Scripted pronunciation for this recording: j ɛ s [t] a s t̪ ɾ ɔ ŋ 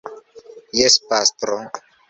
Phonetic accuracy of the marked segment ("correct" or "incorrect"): incorrect